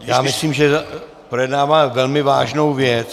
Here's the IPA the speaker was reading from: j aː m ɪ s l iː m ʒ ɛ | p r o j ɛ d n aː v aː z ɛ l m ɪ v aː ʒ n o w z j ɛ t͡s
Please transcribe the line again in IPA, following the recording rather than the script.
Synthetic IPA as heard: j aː m ɪ s l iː m ʒ ɛ | p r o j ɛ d n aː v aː v ɛ l m ɪ v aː ʒ n o w v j ɛ t͡s